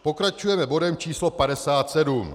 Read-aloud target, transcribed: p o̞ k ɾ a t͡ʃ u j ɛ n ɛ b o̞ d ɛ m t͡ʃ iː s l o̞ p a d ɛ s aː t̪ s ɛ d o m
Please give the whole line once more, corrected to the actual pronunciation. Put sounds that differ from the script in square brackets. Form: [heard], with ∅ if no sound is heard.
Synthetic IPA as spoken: p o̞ k ɾ a t͡ʃ u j ɛ [m] ɛ b o̞ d ɛ m t͡ʃ iː s l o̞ p a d ɛ s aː t̪ s ɛ d [u] m